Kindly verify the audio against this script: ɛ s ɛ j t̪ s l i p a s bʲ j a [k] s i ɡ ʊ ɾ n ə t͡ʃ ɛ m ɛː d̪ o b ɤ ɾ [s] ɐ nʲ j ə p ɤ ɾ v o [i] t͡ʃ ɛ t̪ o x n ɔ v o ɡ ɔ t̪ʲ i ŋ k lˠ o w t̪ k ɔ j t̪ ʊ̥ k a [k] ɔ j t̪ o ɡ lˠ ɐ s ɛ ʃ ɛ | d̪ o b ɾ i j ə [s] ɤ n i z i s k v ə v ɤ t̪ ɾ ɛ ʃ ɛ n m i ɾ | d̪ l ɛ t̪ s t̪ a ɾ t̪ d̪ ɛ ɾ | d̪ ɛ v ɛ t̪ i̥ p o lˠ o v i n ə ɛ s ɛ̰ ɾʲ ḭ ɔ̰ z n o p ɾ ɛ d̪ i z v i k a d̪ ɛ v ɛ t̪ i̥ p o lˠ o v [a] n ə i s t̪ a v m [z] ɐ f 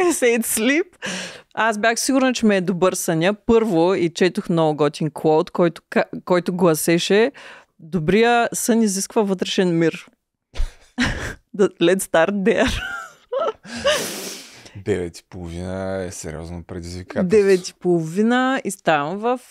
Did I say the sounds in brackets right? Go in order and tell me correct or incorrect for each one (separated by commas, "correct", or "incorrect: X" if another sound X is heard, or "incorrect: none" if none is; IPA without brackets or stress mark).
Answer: incorrect: x, correct, correct, correct, correct, incorrect: i, incorrect: v